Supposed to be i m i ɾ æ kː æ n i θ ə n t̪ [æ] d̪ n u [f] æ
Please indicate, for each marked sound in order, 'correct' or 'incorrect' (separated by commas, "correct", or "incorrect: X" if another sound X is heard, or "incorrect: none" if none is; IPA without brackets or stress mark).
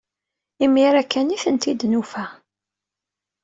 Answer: incorrect: i, correct